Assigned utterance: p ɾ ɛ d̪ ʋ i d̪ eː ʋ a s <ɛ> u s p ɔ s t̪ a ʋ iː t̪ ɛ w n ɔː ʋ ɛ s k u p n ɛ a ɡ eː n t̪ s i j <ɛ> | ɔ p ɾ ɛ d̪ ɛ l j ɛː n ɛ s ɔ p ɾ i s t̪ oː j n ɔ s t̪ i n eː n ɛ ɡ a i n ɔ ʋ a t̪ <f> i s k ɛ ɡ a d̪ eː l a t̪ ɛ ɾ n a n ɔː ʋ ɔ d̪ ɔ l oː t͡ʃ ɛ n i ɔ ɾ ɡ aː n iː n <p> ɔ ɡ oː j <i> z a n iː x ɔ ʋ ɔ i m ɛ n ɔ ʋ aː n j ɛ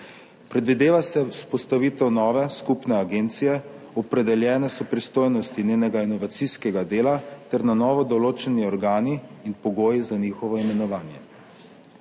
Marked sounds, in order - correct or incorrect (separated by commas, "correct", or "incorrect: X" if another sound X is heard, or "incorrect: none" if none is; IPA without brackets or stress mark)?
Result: correct, correct, incorrect: s, correct, correct